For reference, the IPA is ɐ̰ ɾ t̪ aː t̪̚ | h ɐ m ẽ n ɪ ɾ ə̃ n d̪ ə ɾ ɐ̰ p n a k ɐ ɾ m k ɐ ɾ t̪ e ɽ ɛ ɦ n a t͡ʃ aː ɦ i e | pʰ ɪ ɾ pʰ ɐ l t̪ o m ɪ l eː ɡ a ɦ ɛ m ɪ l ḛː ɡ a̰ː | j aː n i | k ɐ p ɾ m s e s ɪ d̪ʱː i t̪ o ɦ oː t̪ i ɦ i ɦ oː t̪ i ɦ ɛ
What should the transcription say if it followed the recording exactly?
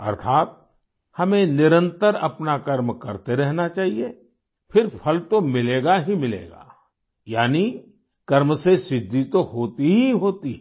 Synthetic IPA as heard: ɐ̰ ɾ t̪ʰ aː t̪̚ | h ɐ m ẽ n ɪ ɾ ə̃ n t̪ ə ɾ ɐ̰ p n a k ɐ ɾ m k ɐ ɾ t̪ e ɾ ɛ ɦ n a t͡ʃ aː ɦ i e | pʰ ɪ ɾ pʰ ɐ l t̪ o m ɪ l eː ɡ a ɦ i m ɪ l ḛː ɡ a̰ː | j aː n i | k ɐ ɾ m s e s ɪ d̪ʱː i t̪ o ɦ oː t̪ i ɦ i ɦ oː t̪ i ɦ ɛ